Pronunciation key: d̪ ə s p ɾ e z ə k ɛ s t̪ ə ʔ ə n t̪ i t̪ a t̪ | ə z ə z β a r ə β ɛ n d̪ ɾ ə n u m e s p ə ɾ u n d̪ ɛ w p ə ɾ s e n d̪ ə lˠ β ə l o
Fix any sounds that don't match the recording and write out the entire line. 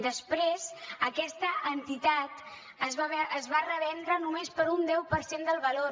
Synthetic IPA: d̪ ə s p ɾ e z ə k ɛ s t̪ ə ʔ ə n t̪ i t̪ a t̪ | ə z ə z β a r ə β ɛ n d̪ ɾ ə n u m e s p ə ɾ u n d̪ ɛ w p ə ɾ s e n d̪ ə lˠ β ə l o